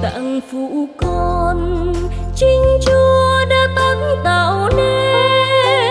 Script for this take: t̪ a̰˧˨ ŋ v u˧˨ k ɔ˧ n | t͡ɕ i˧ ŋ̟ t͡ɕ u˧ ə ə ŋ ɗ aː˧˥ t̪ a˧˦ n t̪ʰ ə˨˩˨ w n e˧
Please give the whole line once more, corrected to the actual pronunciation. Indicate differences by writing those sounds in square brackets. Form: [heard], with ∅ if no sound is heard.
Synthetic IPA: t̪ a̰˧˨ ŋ [f] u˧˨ k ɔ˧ n | t͡ɕ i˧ ŋ̟ t͡ɕ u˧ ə ə [∅] ɗ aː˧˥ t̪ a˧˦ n [t̪] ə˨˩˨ w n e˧